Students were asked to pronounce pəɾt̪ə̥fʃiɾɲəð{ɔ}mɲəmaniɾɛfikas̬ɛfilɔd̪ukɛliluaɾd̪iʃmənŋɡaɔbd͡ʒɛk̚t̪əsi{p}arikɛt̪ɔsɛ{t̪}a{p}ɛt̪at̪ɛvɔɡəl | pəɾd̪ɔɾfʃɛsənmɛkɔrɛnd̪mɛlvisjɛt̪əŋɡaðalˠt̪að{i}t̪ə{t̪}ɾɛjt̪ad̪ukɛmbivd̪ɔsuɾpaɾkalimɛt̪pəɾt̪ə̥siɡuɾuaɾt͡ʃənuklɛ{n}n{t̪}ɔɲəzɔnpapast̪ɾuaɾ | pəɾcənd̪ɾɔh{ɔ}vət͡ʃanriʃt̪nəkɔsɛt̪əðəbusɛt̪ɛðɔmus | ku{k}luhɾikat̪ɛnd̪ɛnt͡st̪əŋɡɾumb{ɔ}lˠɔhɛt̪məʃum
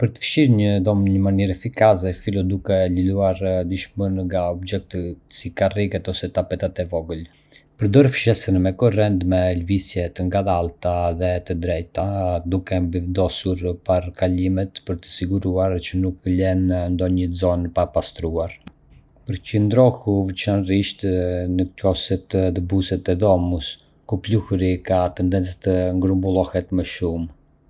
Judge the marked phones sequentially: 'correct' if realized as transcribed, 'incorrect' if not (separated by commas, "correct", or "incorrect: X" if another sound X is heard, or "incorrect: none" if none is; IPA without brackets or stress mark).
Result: correct, incorrect: k, correct, correct, incorrect: ɛ, incorrect: d̪, correct, incorrect: d̪, incorrect: u, incorrect: p, incorrect: u